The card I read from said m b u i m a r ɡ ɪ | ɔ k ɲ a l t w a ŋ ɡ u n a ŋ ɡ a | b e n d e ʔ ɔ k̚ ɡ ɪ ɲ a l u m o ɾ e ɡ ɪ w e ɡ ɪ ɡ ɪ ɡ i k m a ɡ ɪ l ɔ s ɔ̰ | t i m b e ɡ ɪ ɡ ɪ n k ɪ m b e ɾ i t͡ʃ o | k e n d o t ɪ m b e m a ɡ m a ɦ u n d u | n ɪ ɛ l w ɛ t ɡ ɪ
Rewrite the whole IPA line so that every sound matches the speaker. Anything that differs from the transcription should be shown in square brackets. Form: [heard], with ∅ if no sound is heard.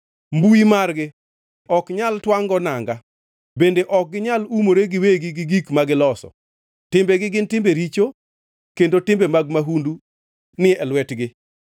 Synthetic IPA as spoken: m b u i m a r ɡ ɪ | ɔ k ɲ a l t w a ŋ ɡ [ɔ] n a ŋ ɡ a | b e n d e ʔ ɔ k̚ ɡ ɪ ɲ a l u m o ɾ e ɡ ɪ w e ɡ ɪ ɡ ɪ ɡ i k m a ɡ ɪ l ɔ s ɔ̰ | t [ɪ] m b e ɡ ɪ ɡ ɪ n [t] ɪ m b e ɾ i t͡ʃ o | k e n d o t ɪ m b e m a ɡ m a ɦ u n d u | n ɪ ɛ l w ɛ t ɡ ɪ